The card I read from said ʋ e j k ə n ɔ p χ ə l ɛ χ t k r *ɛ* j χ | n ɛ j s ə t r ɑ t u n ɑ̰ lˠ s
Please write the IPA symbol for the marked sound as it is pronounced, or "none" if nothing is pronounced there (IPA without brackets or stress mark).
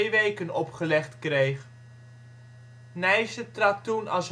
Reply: e